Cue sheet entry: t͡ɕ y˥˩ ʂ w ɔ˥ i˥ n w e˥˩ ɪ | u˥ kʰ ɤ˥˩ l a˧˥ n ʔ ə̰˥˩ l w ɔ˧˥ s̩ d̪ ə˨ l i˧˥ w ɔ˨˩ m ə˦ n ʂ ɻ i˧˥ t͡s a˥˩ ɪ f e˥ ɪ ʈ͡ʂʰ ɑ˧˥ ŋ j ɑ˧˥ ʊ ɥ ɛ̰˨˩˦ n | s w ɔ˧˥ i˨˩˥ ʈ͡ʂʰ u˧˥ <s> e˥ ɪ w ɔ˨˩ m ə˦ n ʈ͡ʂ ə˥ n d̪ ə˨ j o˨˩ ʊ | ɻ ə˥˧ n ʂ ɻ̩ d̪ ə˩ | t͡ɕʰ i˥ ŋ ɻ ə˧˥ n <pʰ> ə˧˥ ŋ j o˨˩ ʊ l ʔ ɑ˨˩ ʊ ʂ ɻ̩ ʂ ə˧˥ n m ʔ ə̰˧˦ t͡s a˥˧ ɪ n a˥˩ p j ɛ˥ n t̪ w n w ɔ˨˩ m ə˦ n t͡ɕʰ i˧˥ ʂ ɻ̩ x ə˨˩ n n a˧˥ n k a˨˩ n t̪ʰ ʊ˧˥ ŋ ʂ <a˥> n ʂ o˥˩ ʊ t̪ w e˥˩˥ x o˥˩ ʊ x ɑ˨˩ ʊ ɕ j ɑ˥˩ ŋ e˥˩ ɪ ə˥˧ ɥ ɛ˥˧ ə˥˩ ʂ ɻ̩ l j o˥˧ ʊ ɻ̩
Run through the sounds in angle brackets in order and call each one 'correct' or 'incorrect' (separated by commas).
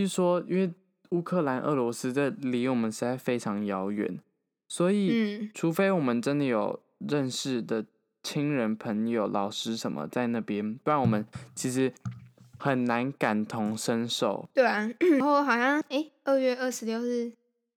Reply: incorrect, correct, incorrect